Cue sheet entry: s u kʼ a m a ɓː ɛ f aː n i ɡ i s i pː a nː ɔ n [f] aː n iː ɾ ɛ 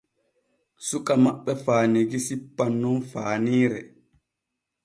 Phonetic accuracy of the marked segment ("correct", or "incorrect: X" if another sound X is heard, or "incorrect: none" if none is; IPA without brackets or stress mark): correct